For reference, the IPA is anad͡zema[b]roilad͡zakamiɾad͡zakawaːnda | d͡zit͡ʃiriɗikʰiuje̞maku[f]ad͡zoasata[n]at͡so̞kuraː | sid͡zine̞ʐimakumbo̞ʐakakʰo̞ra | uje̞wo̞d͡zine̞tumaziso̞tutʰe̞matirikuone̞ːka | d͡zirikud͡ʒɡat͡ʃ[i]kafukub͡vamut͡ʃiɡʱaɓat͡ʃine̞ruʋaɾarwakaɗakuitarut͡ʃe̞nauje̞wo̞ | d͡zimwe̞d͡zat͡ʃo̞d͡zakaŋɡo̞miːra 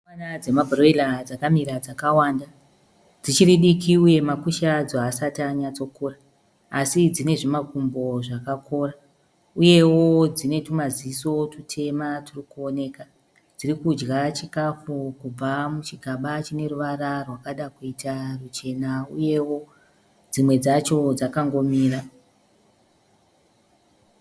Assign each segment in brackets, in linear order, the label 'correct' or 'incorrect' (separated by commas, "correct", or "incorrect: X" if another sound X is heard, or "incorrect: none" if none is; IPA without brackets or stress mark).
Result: correct, incorrect: ʃ, incorrect: ɲ, correct